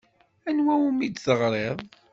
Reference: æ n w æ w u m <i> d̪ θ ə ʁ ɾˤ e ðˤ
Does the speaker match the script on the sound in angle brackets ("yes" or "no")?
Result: yes